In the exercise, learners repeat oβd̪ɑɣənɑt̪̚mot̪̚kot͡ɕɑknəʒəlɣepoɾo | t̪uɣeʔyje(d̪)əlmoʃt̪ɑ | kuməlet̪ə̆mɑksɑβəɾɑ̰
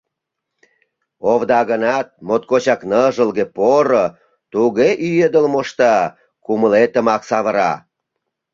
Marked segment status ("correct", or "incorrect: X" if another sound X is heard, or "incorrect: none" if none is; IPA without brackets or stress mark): correct